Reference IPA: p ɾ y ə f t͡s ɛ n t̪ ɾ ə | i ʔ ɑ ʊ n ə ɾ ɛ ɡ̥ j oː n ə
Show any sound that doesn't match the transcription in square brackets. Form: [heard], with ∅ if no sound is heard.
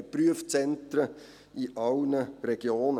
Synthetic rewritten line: p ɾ y ə f t͡s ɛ n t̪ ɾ ə | i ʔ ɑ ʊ n ə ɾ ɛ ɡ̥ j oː n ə